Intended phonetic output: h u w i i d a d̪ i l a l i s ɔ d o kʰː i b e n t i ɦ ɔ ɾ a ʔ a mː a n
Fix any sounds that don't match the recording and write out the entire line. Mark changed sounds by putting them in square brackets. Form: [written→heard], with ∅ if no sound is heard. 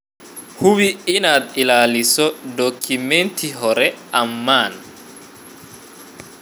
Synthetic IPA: h u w i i [d→n] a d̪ i l a l i s ɔ d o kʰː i [b→m] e n t i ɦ ɔ ɾ [a→ɛ] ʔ a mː a n